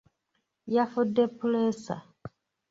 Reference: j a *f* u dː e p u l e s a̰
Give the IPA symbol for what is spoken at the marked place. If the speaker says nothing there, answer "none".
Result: f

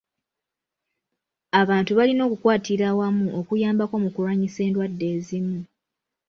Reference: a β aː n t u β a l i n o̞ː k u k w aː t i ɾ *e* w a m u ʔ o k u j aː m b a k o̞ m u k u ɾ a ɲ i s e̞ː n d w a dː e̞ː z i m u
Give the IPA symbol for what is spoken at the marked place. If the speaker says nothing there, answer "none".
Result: a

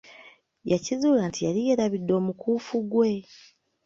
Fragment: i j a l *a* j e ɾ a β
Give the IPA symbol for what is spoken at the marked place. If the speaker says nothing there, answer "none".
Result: i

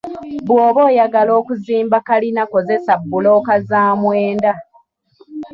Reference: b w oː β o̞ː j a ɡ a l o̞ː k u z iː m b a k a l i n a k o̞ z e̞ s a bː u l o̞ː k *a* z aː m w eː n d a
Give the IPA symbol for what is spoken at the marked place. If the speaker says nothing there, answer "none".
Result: a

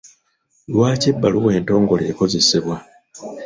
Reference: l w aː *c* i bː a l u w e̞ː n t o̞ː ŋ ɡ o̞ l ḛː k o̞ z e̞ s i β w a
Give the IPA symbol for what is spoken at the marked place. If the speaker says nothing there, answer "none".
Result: c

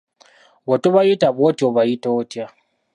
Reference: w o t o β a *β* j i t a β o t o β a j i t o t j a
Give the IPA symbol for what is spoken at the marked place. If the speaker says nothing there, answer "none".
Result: none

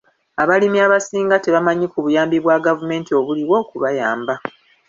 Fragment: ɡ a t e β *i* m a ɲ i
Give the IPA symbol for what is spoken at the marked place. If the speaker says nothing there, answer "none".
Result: a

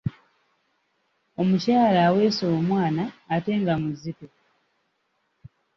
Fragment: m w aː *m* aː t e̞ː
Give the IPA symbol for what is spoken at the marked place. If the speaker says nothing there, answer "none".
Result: n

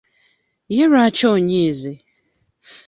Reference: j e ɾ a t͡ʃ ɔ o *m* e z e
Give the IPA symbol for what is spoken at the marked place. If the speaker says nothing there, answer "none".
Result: ɲ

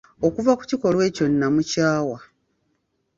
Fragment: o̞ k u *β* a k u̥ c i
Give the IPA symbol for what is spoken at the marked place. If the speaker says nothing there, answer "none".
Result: v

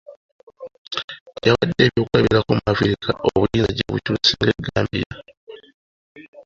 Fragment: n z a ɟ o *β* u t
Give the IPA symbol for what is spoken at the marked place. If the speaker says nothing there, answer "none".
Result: β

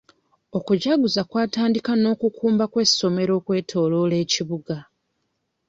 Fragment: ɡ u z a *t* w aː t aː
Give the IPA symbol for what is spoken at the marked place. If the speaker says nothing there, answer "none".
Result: k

